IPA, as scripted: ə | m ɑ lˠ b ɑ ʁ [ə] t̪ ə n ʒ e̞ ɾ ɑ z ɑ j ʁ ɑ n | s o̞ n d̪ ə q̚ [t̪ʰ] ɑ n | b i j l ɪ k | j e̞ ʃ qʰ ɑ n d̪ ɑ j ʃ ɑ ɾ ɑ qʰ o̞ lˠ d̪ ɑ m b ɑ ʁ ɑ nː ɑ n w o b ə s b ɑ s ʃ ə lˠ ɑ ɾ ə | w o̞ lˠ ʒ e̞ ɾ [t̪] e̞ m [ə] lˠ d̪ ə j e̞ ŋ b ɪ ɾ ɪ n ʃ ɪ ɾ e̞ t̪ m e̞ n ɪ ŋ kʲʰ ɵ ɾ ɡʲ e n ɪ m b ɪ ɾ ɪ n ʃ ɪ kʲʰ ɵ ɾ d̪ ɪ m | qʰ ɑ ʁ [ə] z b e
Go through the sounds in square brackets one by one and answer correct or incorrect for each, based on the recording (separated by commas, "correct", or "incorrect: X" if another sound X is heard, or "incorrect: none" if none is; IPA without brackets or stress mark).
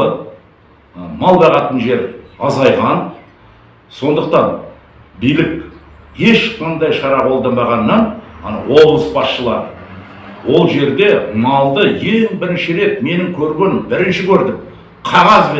incorrect: ɑ, incorrect: t̪, incorrect: d̪, incorrect: ɑ, incorrect: ɑ